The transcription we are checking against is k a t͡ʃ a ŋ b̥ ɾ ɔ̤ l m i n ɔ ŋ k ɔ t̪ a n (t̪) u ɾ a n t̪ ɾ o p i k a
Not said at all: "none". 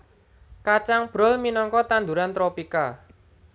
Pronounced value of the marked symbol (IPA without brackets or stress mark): d̪